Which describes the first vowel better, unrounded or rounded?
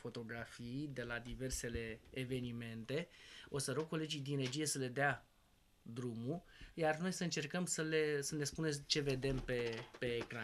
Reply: rounded